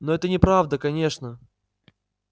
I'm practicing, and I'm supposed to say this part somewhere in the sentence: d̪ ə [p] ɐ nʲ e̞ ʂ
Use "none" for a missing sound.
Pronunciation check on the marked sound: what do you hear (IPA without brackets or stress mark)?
k